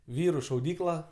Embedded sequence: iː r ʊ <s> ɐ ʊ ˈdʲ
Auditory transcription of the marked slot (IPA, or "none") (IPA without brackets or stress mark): ʃ